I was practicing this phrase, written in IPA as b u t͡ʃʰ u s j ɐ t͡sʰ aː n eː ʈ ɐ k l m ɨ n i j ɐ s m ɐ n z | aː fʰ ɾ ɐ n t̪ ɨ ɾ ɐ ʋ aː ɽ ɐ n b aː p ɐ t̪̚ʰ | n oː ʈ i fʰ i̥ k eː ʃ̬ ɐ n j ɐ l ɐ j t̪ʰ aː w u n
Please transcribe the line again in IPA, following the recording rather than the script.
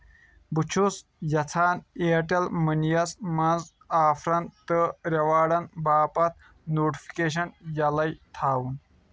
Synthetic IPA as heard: b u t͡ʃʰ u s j ɐ t͡sʰ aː n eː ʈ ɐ l m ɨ n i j ɐ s m ɐ n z | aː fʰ ɾ ɐ n t̪ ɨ ɾ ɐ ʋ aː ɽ ɐ n b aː p ɐ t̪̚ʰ | n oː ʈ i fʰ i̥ k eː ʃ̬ ɐ n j ɐ l ɐ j t̪ʰ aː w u n